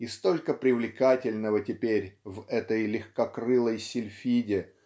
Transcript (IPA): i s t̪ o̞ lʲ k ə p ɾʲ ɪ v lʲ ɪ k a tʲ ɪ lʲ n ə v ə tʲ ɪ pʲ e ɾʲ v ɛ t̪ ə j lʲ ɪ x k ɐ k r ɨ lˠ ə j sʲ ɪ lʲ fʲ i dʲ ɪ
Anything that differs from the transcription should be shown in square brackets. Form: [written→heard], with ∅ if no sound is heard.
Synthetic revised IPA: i s t̪ o̞ lʲ k ə p ɾʲ ɪ v lʲ ɪ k a tʲ ɪ lʲ n ə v ə tʲ ɪ pʲ e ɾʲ v ɛ t̪ ə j lʲ ɪ x k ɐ k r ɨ lˠ ə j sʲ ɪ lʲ fʲ i dʲ ɪ